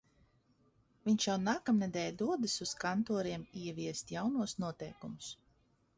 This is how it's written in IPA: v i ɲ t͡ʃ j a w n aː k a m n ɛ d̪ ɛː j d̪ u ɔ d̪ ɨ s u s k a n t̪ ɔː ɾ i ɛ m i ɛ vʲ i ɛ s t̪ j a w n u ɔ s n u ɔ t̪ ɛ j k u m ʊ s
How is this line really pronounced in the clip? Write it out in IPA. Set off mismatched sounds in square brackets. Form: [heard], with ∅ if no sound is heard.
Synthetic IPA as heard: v i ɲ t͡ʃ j a w n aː k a m n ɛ d̪ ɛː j d̪ u ɔ d̪ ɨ s u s k a n t̪ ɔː ɾ i ɛ m i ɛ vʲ i ɛ s t̪ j a w n u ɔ s n u ɔ t̪ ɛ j k u m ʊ s